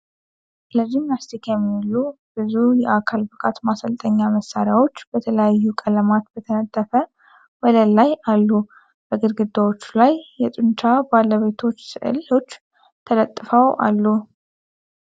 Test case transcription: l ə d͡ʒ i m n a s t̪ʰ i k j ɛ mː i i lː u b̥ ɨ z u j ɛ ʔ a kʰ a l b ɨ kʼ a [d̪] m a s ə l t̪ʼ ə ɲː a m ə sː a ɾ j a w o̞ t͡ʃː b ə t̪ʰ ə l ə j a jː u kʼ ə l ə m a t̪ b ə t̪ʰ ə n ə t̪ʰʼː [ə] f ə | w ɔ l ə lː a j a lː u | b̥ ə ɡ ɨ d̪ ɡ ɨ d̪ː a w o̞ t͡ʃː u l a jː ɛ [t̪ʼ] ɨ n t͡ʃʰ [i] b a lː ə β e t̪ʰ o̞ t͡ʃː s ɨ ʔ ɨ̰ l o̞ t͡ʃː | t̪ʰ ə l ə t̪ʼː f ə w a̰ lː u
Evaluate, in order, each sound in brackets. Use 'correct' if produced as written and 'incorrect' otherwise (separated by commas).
incorrect, correct, correct, incorrect